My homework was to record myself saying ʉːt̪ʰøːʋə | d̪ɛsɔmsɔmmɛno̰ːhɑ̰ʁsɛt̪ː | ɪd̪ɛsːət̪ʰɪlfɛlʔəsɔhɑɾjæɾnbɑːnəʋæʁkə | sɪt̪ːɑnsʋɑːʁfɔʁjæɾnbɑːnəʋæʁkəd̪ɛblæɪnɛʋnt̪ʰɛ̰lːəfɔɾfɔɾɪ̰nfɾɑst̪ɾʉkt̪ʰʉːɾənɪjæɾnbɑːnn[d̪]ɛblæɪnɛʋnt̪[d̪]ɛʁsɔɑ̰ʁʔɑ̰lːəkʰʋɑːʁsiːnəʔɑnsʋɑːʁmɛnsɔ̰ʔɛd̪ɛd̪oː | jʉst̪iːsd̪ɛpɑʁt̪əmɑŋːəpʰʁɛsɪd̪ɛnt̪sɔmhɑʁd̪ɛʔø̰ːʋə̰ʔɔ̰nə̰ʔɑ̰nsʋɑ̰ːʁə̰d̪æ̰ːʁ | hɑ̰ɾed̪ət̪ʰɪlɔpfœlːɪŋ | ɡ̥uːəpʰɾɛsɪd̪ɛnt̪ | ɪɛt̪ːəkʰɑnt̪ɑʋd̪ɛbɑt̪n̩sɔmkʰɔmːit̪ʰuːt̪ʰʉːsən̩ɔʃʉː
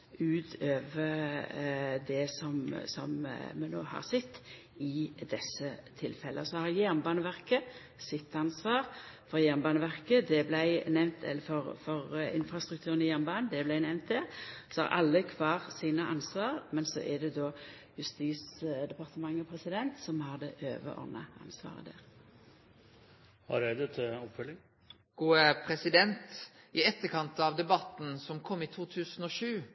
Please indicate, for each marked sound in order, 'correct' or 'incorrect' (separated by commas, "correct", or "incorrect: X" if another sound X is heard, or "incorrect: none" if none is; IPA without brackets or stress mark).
correct, correct